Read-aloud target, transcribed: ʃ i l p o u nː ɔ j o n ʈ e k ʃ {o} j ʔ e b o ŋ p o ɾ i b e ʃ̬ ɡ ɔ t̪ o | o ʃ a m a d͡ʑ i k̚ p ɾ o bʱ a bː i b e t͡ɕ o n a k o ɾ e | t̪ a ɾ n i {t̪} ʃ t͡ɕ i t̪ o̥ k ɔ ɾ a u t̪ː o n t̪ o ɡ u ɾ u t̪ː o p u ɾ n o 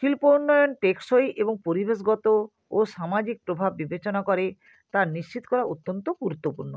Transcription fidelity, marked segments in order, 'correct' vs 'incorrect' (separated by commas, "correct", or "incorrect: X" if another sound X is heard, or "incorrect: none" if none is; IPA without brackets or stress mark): correct, incorrect: none